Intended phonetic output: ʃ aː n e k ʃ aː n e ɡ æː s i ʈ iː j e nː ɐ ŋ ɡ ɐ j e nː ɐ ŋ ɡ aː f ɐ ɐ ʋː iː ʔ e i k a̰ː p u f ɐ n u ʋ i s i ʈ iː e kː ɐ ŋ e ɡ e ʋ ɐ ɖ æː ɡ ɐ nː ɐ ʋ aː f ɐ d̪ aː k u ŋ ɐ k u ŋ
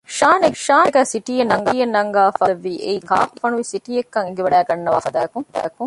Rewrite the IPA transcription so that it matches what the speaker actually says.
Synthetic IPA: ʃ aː n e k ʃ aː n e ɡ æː s i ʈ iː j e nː ɐ ŋ ɡ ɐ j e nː ɐ ŋ ɡ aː f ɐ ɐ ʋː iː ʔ e i k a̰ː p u f ɐ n u ʋ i s i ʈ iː e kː ɐ ŋ e ɡ e ʋ ɐ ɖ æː ɡ ɐ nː ɐ ʋ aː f ɐ d̪ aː k u ŋ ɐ k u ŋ